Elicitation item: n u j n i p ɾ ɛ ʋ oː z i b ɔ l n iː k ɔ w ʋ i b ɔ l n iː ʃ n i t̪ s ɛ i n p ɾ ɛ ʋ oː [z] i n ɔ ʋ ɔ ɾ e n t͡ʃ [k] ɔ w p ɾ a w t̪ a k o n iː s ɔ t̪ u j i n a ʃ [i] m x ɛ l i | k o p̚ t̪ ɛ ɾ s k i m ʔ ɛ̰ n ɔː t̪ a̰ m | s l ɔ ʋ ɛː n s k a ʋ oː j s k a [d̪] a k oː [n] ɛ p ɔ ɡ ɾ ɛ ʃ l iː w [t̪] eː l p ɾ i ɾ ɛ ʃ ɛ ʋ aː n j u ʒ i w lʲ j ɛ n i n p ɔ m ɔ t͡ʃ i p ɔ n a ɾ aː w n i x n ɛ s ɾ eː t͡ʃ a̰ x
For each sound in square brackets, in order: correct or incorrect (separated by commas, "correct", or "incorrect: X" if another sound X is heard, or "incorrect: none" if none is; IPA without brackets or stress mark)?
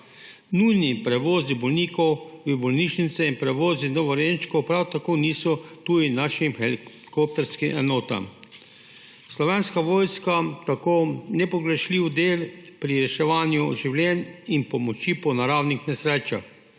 correct, correct, correct, incorrect: t̪, correct, incorrect: d̪